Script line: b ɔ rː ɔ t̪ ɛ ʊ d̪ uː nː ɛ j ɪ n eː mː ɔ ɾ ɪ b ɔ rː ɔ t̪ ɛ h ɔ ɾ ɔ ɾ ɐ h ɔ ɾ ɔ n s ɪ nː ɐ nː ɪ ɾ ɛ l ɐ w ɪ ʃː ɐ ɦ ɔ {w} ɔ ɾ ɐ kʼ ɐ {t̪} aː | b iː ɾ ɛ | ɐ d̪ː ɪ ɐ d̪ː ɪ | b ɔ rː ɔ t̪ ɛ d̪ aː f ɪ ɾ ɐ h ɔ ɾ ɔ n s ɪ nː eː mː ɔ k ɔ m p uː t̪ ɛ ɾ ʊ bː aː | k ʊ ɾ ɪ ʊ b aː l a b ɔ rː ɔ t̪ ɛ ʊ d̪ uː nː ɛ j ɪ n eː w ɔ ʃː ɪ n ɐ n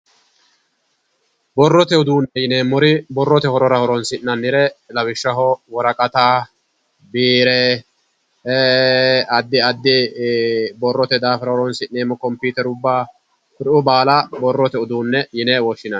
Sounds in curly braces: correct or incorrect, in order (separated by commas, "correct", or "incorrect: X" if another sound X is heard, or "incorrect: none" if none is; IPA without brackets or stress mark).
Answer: correct, correct